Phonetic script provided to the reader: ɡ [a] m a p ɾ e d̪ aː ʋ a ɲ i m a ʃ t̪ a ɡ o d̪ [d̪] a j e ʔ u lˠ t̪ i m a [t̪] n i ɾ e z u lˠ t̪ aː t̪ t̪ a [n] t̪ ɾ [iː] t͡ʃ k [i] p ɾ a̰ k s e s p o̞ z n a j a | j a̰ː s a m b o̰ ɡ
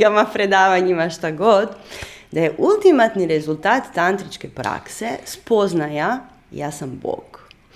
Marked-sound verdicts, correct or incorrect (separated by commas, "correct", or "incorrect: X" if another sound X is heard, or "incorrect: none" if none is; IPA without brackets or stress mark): correct, correct, correct, correct, incorrect: i, incorrect: e